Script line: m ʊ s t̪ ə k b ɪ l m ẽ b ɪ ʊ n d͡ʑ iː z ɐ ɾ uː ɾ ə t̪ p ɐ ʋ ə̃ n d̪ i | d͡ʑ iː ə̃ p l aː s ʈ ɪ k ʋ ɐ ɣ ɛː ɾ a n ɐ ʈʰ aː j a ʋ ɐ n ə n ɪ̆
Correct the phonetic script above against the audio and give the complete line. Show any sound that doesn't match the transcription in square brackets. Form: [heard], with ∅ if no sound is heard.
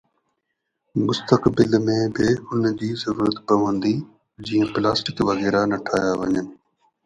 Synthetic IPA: m ʊ s t̪ ə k b ɪ l m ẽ b ɪ ʊ n d͡ʑ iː z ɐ ɾ uː ɾ ə t̪ p ɐ ʋ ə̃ n d̪ i | d͡ʑ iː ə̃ p l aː s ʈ ɪ k ʋ ɐ ɣ ɛː ɾ a n ɐ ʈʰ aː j a ʋ ɐ [ɲ] ə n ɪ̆

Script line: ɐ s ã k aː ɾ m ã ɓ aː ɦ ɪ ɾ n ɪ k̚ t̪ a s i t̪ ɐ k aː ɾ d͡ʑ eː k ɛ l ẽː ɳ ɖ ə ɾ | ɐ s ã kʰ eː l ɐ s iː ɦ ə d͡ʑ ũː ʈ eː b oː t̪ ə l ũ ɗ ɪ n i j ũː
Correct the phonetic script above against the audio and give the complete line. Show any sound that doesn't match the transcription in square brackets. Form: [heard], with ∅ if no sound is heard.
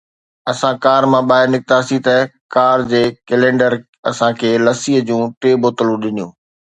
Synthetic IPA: ɐ s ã k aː ɾ m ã ɓ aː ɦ ɪ ɾ n ɪ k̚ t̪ a s i t̪ ɐ k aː ɾ d͡ʑ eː k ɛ l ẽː ɳ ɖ ə ɾ | ɐ s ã kʰ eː l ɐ s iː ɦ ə d͡ʑ ũː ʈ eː b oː t̪ ə l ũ ɗ ɪ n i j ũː

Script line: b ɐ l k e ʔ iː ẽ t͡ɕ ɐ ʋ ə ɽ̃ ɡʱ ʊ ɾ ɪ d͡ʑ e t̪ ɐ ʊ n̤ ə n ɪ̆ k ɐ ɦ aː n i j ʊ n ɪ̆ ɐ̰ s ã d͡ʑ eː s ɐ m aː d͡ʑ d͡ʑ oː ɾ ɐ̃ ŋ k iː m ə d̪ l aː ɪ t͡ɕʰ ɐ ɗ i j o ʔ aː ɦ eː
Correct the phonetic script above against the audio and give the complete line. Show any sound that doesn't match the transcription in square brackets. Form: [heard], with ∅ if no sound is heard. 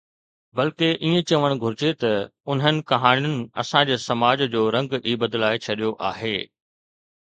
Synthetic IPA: b ɐ l k e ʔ iː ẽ t͡ɕ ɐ ʋ ə ɽ̃ ɡʱ ʊ ɾ ɪ d͡ʑ e t̪ ɐ ʊ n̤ ə n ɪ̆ k ɐ ɦ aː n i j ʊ n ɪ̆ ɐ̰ s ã d͡ʑ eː s ɐ m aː d͡ʑ d͡ʑ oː ɾ ɐ̃ ŋ [ɡ] iː [b] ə d̪ l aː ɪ t͡ɕʰ ɐ ɗ i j o ʔ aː ɦ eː

